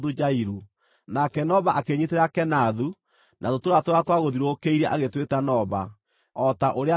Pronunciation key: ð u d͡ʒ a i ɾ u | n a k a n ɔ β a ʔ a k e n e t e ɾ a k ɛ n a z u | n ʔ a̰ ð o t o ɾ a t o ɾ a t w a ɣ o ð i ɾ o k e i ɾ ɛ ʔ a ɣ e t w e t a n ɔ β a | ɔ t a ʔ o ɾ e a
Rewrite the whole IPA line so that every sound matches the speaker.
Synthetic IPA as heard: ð u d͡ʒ a i ɾ u | n a k ɛ n ɔ β a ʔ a k e ɲ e t e ɾ a k ɛ n a ð u | n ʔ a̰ ð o t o ɾ a t o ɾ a t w a ɣ o ð i ɾ o k e i ɾ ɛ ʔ a ɣ e t w e t a n ɔ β a | ɔ t a ʔ o ɾ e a